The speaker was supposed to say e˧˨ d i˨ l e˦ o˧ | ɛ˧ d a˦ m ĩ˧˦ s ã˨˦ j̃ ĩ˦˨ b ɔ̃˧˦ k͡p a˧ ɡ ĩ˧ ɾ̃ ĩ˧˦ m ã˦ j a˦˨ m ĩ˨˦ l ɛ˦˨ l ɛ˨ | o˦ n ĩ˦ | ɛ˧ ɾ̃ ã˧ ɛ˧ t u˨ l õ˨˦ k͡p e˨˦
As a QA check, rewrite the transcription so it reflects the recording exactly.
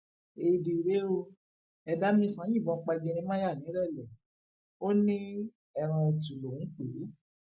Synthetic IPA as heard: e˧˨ d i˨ ɾ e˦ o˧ | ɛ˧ d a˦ m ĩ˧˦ s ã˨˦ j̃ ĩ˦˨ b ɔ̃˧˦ k͡p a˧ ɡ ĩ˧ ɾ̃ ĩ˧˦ m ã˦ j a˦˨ n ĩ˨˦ ɾ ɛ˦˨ l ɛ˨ | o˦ n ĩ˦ | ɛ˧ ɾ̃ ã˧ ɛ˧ t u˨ l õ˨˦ k͡p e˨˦